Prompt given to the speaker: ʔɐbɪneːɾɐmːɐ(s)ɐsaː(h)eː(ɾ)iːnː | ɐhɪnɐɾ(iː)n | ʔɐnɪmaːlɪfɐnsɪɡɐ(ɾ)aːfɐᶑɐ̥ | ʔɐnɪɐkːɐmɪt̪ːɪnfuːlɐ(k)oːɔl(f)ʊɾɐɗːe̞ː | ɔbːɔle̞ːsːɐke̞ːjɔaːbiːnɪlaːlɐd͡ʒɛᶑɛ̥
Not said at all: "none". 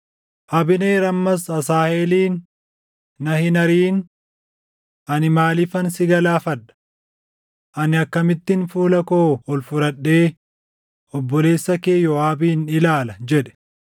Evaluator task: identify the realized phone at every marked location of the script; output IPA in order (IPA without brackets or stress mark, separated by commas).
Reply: s, h, l, iː, l, k, f